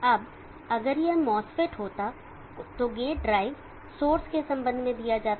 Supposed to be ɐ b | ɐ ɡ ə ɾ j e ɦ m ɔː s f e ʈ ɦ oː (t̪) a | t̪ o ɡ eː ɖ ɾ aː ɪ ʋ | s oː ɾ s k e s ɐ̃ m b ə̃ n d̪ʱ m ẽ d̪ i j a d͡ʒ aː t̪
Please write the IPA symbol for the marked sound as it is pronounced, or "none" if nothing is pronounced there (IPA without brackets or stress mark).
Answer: t̪